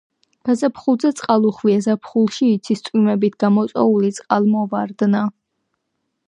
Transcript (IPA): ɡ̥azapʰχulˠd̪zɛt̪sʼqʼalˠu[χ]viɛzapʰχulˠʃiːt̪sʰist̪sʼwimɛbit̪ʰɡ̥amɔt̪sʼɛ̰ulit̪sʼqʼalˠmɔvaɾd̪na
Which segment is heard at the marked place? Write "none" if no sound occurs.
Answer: χ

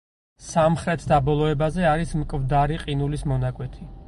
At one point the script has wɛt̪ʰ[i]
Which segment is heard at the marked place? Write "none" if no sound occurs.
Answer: i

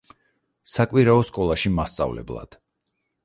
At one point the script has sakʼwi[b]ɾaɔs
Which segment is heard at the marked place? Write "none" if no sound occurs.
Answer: none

